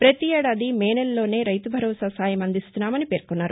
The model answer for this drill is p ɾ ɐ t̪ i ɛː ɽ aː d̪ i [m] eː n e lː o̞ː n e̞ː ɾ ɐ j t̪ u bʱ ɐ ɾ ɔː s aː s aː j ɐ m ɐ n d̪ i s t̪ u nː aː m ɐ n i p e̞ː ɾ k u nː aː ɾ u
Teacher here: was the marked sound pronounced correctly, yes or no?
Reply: yes